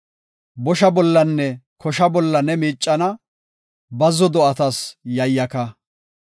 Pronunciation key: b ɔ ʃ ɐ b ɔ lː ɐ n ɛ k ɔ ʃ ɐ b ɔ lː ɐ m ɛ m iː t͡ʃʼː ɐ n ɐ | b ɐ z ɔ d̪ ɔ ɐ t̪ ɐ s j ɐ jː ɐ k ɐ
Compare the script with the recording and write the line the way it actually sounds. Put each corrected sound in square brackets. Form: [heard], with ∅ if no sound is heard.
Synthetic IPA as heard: b ɔ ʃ ɐ b ɔ lː ɐ [nː] ɛ k ɔ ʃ ɐ b ɔ lː ɐ [n] ɛ m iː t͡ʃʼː ɐ n ɐ | b ɐ z ɔ d̪ ɔ ɐ t̪ ɐ s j ɐ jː ɐ k ɐ